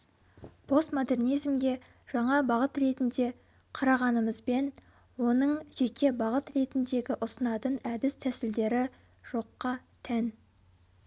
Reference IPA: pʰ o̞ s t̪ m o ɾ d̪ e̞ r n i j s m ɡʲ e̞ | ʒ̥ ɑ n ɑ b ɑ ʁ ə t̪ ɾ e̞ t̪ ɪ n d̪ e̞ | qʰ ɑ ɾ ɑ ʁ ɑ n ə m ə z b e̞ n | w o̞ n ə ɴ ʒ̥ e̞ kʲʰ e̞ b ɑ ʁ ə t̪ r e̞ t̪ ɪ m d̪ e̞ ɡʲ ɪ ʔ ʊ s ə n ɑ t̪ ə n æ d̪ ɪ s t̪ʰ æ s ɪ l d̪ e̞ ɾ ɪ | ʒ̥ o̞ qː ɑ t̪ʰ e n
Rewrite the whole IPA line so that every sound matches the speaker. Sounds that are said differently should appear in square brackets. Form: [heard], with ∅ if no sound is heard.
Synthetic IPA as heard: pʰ o̞ s t̪ m o [∅] d̪ e̞ r n i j [z] m ɡʲ e̞ | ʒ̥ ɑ [ɴ] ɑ b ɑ ʁ ə t̪ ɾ e̞ t̪ ɪ n d̪ e̞ | qʰ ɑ ɾ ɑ ʁ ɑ n ə m ə z b e̞ n | w o̞ n ə ɴ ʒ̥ e̞ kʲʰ e̞ b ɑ ʁ ə t̪ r e̞ t̪ ɪ [n] d̪ e̞ ɡʲ ɪ ʔ ʊ s ə n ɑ t̪ ə n æ d̪ ɪ s t̪ʰ æ s ɪ l d̪ e̞ ɾ ɪ | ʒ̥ o̞ qː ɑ t̪ʰ [æ] n

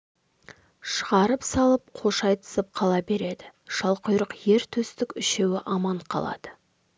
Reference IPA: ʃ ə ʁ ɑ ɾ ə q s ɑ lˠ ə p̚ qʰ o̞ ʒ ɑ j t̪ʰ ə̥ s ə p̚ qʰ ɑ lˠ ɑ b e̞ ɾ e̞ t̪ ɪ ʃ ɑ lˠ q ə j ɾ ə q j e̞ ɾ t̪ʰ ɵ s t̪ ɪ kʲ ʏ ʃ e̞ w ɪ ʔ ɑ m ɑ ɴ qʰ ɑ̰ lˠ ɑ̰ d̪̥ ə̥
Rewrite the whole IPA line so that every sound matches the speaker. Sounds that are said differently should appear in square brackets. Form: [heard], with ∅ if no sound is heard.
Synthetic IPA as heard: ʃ ə ʁ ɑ ɾ ə [p] s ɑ lˠ ə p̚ qʰ o̞ [ʃ] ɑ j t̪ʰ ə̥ s ə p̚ qʰ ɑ lˠ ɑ b e̞ ɾ e̞ [d̪] ɪ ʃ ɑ lˠ q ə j ɾ ə q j e̞ ɾ t̪ʰ ɵ s t̪ ɪ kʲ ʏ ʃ e̞ w ɪ ʔ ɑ m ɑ ɴ qʰ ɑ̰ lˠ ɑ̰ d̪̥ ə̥

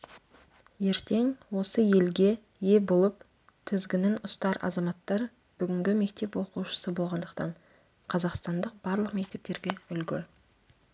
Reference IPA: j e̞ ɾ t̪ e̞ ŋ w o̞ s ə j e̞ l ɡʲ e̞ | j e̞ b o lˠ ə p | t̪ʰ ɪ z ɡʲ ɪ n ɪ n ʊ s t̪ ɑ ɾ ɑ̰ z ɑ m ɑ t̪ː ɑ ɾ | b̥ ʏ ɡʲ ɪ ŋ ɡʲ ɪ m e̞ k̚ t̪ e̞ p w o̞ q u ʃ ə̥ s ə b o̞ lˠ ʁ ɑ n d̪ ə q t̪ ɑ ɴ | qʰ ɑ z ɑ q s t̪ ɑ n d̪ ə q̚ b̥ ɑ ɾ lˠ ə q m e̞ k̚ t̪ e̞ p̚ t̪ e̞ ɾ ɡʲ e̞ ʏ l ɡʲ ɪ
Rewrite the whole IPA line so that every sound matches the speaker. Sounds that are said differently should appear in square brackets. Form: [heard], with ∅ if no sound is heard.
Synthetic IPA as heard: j e̞ ɾ t̪ e̞ ŋ w o̞ s ə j e̞ l ɡʲ e̞ | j e̞ b o lˠ ə p | t̪ʰ ɪ z ɡʲ ɪ n ɪ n ʊ s t̪ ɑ ɾ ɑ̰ z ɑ m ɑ t̪ː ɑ ɾ | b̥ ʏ ɡʲ ɪ ŋ ɡʲ ɪ m e̞ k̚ t̪ e̞ p w o̞ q u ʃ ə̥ s ə b o̞ lˠ ʁ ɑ n d̪ ə q t̪ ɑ ɴ | qʰ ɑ z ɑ q s t̪ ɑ n d̪ ə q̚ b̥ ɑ ɾ lˠ ə q m e̞ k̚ t̪ e̞ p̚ t̪ e̞ ɾ ɡʲ e̞ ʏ l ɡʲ ɪ

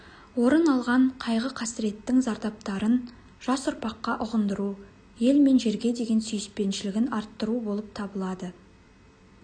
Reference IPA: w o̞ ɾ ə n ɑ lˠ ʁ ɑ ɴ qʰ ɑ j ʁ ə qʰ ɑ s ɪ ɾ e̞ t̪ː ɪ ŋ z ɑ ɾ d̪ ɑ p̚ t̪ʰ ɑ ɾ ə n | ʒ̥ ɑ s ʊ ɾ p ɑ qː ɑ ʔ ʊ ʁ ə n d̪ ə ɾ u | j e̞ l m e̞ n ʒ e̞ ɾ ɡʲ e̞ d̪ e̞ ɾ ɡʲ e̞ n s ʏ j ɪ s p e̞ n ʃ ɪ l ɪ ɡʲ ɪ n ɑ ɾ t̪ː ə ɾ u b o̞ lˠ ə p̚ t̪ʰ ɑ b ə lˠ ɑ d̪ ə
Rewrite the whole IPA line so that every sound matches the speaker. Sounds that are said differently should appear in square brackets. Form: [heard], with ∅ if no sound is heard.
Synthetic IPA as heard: w o̞ ɾ ə n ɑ lˠ ʁ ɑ ɴ qʰ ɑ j ʁ ə qʰ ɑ s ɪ ɾ e̞ t̪ː ɪ ŋ z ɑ ɾ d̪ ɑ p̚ [t̪] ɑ ɾ ə n | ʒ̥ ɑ s ʊ ɾ p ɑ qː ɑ ʔ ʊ ʁ ə n d̪ ə ɾ u | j e̞ l m e̞ n ʒ e̞ ɾ ɡʲ e̞ d̪ e̞ [∅] ɡʲ e̞ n s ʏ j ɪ s p e̞ n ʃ ɪ l ɪ ɡʲ ɪ n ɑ ɾ t̪ː ə ɾ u b o̞ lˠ ə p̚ t̪ʰ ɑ b ə lˠ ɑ d̪ ə

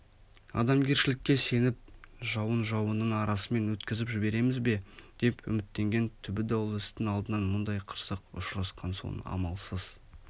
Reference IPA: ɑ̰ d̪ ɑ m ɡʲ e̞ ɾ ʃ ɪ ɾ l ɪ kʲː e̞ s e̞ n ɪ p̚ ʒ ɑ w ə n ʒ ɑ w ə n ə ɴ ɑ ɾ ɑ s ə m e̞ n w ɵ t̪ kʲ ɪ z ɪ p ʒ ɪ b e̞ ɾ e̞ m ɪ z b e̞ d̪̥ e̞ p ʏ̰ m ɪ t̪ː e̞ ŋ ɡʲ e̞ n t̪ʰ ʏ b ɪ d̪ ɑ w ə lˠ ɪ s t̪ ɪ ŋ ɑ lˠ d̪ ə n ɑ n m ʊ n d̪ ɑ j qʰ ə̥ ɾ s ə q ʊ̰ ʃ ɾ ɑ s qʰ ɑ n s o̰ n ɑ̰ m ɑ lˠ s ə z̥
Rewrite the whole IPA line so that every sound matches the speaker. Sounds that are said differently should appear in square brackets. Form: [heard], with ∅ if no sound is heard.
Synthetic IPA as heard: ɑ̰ d̪ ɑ m ɡʲ e̞ ɾ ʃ ɪ [∅] l ɪ kʲː e̞ s e̞ n ɪ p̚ ʒ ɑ w ə n ʒ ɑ w ə n ə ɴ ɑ ɾ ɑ s ə m e̞ n w ɵ t̪ kʲ ɪ z ɪ p ʒ ɪ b e̞ ɾ e̞ m ɪ z b e̞ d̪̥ e̞ p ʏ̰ m ɪ t̪ː e̞ ŋ ɡʲ e̞ n t̪ʰ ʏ b ɪ d̪ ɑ w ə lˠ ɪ s t̪ ɪ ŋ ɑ lˠ d̪ ə n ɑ n m ʊ n d̪ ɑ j qʰ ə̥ ɾ s ə q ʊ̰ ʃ ɾ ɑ s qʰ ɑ n s o̰ n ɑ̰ m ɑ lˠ s ə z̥

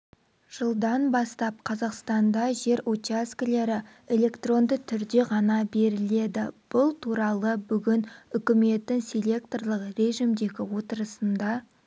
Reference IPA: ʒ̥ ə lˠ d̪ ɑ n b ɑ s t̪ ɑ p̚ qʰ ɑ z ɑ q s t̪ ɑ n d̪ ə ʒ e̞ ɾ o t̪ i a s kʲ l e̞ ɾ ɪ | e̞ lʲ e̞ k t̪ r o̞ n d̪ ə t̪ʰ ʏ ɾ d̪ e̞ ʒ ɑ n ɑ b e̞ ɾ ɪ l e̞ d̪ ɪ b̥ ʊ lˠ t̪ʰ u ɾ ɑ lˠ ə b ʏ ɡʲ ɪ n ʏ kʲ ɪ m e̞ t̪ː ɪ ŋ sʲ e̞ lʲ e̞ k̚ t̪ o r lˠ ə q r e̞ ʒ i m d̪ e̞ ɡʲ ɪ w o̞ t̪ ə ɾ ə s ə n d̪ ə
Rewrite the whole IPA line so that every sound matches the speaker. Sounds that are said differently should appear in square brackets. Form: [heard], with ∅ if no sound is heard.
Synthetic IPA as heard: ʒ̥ ə lˠ d̪ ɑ n b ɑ s t̪ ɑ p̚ qʰ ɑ z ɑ q s t̪ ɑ n d̪ [ɑ] ʒ e̞ ɾ o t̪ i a s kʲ l e̞ ɾ ɪ | e̞ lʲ e̞ k t̪ r o̞ n d̪ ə t̪ʰ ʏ ɾ d̪ e̞ [ʁ] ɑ n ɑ b e̞ ɾ ɪ l e̞ d̪ ɪ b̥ ʊ lˠ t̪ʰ u ɾ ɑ lˠ ə b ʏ ɡʲ ɪ n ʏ kʲ ɪ m e̞ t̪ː ɪ ŋ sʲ e̞ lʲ e̞ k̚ t̪ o r lˠ ə q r e̞ ʒ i m d̪ e̞ ɡʲ ɪ w o̞ t̪ ə ɾ ə s ə n d̪ [ɑ]

